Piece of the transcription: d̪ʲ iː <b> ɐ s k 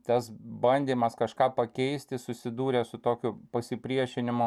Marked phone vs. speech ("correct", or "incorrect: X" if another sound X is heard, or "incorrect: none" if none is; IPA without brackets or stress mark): incorrect: m